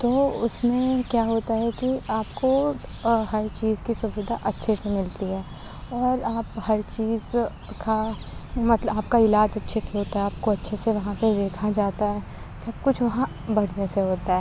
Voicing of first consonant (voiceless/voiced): voiceless